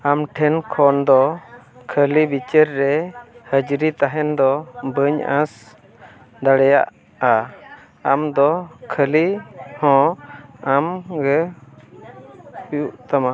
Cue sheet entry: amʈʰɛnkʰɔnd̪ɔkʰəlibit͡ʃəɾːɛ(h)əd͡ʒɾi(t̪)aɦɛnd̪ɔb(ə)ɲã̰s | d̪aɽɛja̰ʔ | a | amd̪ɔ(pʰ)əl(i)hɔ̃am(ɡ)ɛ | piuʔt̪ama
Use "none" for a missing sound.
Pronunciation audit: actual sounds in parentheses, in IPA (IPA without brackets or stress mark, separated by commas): h, t̪, ə, kʰ, i, ɡ